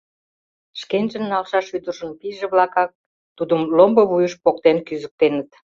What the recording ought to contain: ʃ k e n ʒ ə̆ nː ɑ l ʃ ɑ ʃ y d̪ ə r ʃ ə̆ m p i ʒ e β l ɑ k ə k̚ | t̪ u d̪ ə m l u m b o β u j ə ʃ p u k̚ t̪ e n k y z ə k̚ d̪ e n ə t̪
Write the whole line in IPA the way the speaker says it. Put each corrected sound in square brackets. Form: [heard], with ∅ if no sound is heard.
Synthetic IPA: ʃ k e n ʒ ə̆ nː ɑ l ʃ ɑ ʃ y d̪ ə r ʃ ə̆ [n] p i ʒ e β l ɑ k [ɑ] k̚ | t̪ u d̪ ə m l [o] m b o β u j ə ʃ p [o] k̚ t̪ e n k y z ə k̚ [t̪] e n ə t̪